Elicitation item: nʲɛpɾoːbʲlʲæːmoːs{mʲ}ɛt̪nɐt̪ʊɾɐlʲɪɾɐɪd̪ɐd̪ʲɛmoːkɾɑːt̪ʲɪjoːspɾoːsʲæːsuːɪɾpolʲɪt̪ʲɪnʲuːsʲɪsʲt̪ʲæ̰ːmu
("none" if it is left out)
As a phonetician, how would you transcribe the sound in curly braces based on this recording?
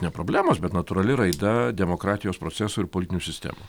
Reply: bʲ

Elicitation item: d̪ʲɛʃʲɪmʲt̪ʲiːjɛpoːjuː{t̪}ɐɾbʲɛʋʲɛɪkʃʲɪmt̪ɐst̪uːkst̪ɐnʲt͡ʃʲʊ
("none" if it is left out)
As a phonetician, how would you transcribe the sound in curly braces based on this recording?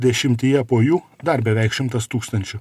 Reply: d̪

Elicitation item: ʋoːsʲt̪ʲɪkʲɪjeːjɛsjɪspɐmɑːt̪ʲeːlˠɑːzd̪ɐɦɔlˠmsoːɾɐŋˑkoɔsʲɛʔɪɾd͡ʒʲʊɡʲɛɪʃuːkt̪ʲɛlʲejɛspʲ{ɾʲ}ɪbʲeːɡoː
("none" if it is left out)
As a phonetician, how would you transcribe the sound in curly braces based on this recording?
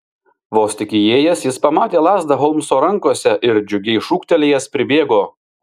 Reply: ɾʲ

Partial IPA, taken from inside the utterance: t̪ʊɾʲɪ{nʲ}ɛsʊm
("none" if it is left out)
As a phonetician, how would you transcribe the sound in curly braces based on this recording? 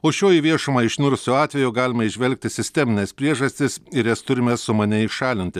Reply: mʲ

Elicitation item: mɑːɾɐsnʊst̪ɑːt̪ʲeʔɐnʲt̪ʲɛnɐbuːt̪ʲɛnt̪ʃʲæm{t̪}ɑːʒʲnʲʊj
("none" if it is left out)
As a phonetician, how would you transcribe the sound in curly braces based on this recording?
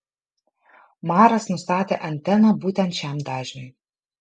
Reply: d̪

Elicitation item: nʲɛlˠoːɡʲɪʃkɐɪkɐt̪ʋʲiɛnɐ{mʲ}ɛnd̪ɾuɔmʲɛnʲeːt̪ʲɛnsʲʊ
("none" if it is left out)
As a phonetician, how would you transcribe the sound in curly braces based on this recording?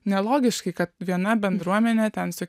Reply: bʲ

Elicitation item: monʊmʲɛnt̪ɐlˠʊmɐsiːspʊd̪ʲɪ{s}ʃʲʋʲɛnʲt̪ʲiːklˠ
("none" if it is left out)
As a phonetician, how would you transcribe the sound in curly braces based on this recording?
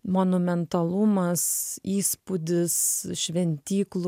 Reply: s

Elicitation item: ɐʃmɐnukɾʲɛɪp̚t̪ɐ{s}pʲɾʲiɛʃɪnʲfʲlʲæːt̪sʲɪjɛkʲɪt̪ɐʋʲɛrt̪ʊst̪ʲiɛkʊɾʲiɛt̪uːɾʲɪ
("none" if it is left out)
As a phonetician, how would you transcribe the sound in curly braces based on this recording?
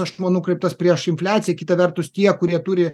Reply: s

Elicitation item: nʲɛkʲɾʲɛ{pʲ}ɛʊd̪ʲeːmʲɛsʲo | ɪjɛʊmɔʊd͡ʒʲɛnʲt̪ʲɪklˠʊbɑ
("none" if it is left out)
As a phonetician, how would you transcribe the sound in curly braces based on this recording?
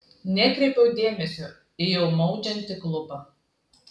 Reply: pʲ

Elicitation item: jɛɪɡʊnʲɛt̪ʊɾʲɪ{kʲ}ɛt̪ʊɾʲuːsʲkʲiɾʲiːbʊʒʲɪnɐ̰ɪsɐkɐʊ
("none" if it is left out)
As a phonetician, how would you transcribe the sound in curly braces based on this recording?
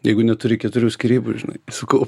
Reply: kʲ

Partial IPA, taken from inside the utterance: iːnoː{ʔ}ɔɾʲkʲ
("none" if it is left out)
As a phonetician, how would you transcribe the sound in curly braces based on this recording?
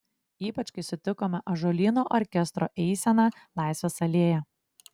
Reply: ʔ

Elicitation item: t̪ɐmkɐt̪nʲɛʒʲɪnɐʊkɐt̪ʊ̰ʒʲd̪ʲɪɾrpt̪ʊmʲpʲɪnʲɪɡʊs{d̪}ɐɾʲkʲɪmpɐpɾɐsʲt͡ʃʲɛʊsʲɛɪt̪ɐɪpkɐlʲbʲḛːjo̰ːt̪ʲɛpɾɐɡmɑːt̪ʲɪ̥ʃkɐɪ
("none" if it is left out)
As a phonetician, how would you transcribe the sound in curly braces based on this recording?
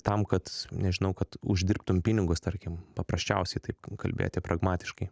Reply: t̪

